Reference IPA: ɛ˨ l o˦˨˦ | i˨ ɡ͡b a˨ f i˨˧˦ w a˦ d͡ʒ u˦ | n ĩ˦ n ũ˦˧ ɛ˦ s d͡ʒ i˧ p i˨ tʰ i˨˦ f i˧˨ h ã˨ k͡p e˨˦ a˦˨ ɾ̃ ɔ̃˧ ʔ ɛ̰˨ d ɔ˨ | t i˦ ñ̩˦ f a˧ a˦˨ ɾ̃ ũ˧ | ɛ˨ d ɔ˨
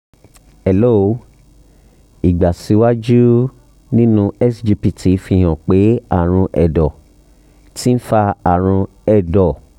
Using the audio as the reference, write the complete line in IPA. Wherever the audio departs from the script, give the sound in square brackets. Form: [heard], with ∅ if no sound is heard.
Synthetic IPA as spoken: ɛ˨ l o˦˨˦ | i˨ ɡ͡b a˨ [s] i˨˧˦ w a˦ d͡ʒ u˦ | n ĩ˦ n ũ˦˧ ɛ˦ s d͡ʒ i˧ p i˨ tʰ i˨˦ f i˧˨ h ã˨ k͡p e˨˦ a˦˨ ɾ̃ [ũ˧] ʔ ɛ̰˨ d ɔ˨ | t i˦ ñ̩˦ f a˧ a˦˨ ɾ̃ ũ˧ | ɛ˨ d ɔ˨